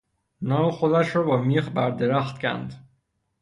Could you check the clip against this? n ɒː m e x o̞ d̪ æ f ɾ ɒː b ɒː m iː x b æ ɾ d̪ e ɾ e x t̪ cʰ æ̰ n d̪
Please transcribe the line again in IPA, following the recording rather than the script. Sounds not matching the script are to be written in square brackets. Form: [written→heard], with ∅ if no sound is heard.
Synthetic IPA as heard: n ɒː m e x o̞ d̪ æ [f→ʃ] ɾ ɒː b ɒː m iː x b æ ɾ d̪ e ɾ [e→æ] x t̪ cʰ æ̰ n d̪